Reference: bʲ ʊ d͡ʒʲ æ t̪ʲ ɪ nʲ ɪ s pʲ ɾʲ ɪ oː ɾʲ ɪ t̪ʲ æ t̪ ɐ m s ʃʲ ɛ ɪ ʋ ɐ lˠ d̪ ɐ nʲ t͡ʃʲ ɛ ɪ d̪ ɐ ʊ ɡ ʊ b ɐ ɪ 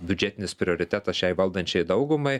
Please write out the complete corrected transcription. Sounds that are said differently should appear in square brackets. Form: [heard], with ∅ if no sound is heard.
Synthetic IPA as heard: bʲ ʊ d͡ʒʲ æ t̪ʲ ɪ nʲ ɪ s pʲ ɾʲ ɪ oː ɾʲ ɪ t̪ʲ æ t̪ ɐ [∅] s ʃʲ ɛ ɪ ʋ ɐ lˠ d̪ ɐ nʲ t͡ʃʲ ɛ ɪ d̪ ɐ ʊ ɡ ʊ [m] ɐ ɪ

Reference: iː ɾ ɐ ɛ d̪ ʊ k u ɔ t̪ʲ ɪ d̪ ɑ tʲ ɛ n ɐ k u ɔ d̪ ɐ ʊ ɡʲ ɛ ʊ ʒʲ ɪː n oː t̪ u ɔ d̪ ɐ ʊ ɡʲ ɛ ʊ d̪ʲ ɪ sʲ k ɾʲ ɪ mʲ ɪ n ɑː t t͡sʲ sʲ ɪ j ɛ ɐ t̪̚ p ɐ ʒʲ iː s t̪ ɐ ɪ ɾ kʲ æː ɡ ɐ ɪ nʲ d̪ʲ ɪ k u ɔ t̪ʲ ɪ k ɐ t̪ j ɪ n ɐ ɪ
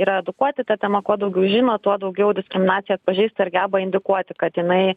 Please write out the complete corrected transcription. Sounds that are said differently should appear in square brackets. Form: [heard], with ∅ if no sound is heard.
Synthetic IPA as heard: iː ɾ ɐ ɛ d̪ ʊ k u ɔ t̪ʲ ɪ [t̪] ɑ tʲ ɛ [m] ɐ k u ɔ d̪ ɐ ʊ ɡʲ ɛ ʊ ʒʲ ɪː n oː t̪ u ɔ d̪ ɐ ʊ ɡʲ ɛ ʊ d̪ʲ ɪ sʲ k ɾʲ ɪ mʲ ɪ n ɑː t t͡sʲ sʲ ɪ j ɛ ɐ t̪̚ p ɐ ʒʲ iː s t̪ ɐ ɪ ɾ [ɡʲ] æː [b] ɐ ɪ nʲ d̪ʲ ɪ k u ɔ t̪ʲ ɪ k ɐ t̪ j ɪ n ɐ ɪ

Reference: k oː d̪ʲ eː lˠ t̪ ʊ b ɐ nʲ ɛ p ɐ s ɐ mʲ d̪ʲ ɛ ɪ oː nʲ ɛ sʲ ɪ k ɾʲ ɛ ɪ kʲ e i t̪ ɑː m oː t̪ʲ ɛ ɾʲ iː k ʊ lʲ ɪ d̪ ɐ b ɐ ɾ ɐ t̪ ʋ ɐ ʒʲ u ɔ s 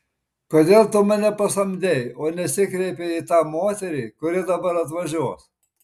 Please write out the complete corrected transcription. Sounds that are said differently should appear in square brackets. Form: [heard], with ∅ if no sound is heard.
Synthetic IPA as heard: k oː d̪ʲ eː lˠ t̪ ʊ [m] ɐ nʲ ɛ p ɐ s ɐ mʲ d̪ʲ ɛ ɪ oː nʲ ɛ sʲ ɪ k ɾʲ ɛ ɪ [pʲ] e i t̪ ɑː m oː t̪ʲ ɛ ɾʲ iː k ʊ [ɾʲ] ɪ d̪ ɐ b ɐ ɾ ɐ t̪ ʋ ɐ ʒʲ u ɔ s

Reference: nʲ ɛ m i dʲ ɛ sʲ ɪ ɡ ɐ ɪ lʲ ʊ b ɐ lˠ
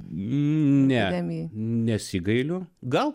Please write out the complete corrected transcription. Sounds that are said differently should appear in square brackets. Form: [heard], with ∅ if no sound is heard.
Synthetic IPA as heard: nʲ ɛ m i [nʲ] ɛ sʲ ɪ ɡ ɐ ɪ lʲ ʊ [ɡ] ɐ lˠ

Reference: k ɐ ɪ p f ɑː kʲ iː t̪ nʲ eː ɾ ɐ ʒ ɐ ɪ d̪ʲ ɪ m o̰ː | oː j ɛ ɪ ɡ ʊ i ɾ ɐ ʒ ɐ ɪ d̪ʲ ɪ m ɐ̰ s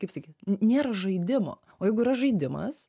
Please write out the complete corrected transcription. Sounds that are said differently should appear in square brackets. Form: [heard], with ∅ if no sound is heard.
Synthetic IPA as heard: k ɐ ɪ p [s] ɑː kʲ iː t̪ nʲ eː ɾ ɐ ʒ ɐ ɪ d̪ʲ ɪ m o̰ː | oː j ɛ ɪ ɡ ʊ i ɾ ɐ ʒ ɐ ɪ d̪ʲ ɪ m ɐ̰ s

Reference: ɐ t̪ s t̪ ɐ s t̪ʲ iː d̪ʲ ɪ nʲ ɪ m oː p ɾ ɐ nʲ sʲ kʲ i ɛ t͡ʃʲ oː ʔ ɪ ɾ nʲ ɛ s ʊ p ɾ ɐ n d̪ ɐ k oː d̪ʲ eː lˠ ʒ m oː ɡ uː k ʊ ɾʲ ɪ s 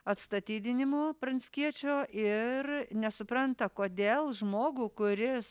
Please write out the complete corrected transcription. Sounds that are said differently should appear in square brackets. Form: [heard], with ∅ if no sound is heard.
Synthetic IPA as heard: ɐ t̪ s t̪ ɐ [∅] t̪ʲ iː d̪ʲ ɪ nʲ ɪ m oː p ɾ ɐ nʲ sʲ kʲ i ɛ t͡ʃʲ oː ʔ ɪ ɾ nʲ ɛ s ʊ p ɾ ɐ n [t̪] ɐ k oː d̪ʲ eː lˠ ʒ m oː ɡ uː k ʊ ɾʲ ɪ s

